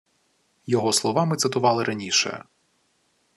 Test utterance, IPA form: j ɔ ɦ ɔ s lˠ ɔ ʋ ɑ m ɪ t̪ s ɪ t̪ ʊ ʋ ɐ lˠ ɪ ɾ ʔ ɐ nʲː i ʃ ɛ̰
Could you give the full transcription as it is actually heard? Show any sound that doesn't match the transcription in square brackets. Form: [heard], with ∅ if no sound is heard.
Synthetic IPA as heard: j ɔ ɦ ɔ s lˠ ɔ ʋ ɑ m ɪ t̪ s ɪ t̪ ʊ ʋ [ɑ] lˠ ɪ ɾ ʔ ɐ [nʲ] i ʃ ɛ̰